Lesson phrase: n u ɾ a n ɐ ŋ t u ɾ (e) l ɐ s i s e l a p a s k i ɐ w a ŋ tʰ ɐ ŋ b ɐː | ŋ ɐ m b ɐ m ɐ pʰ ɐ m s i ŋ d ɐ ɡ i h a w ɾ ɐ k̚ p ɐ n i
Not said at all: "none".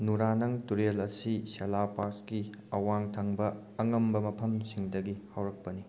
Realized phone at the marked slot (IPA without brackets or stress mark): e